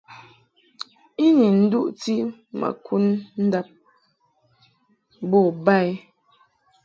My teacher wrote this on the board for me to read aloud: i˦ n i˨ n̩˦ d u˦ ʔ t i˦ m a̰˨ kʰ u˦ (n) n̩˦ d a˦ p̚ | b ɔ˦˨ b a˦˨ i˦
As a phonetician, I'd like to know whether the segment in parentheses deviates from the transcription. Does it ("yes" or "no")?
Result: no